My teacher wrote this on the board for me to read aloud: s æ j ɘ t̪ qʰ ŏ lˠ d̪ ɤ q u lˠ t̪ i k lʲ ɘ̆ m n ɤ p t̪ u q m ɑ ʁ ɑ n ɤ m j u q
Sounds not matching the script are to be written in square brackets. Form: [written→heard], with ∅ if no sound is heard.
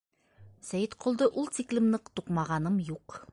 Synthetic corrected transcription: s æ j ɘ t̪ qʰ ŏ lˠ d̪ ɤ [q→ʔ] u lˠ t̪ i k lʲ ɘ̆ m n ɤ [p→q] t̪ u q m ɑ ʁ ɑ n ɤ m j u q